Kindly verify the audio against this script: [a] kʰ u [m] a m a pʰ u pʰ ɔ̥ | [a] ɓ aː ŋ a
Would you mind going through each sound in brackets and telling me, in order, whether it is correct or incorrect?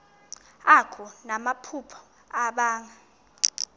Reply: correct, incorrect: n, correct

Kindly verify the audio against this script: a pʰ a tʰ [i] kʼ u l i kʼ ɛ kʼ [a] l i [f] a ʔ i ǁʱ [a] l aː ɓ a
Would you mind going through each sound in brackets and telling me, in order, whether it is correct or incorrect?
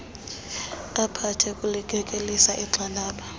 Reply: incorrect: ɛ, incorrect: e, incorrect: s, correct

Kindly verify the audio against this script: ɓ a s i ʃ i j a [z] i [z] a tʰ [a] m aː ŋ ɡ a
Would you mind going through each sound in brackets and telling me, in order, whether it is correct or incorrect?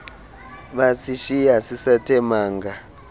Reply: incorrect: s, incorrect: s, incorrect: ɛ

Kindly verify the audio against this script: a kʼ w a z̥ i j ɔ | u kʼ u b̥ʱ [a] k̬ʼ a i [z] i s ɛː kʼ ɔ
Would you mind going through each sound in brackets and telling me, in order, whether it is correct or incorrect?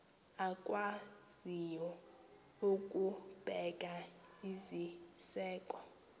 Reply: incorrect: ɛ, correct

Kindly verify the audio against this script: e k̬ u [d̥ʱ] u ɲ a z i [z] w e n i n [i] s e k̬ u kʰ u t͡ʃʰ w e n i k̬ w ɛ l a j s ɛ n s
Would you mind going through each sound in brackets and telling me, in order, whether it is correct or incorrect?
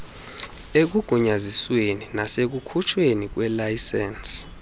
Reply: incorrect: ɡ̥ʱ, incorrect: s, incorrect: a

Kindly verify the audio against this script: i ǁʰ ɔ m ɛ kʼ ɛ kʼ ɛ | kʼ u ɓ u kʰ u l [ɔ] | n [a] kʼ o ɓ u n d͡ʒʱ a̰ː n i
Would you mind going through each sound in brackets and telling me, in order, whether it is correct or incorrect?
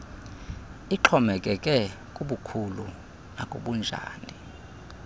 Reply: incorrect: u, correct

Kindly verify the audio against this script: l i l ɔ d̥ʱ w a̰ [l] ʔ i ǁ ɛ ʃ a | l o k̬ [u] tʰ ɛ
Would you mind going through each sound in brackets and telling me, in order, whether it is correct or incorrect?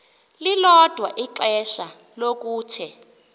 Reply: incorrect: none, incorrect: uː

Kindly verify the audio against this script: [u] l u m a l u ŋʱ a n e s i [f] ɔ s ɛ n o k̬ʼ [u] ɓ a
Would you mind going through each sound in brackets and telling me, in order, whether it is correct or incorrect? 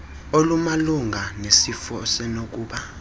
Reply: incorrect: o, correct, incorrect: uː

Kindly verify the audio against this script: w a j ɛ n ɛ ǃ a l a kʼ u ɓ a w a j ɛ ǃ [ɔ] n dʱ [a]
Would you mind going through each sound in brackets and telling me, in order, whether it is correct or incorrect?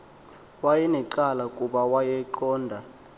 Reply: incorrect: ɔː, correct

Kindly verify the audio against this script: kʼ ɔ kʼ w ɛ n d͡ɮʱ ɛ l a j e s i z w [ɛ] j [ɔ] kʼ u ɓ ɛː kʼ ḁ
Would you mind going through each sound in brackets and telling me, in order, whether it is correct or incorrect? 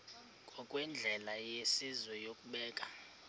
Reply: correct, incorrect: o

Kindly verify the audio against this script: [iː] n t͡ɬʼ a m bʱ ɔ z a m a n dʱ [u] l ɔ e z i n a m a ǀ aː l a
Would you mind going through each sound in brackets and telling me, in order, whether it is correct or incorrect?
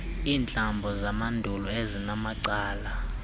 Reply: correct, correct

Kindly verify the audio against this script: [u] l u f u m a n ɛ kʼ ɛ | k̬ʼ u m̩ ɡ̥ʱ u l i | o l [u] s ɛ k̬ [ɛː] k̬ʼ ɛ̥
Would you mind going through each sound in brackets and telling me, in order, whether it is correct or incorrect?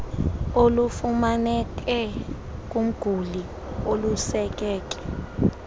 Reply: incorrect: o, correct, correct

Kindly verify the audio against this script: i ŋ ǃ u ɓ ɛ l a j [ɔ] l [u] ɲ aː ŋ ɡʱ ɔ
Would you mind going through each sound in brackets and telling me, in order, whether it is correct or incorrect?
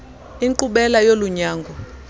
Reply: incorrect: o, correct

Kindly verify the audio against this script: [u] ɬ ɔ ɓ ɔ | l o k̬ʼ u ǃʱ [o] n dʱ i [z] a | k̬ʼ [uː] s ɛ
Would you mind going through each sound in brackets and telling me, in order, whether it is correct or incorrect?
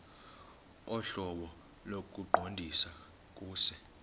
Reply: incorrect: ɔ, correct, incorrect: s, correct

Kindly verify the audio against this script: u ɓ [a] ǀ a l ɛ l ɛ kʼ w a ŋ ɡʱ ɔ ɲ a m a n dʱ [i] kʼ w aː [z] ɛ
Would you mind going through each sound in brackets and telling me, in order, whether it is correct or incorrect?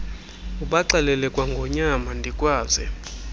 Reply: correct, correct, correct

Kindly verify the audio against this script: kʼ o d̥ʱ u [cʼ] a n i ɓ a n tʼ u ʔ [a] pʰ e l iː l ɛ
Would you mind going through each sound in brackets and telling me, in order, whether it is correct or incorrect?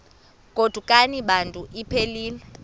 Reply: incorrect: kʼ, incorrect: i

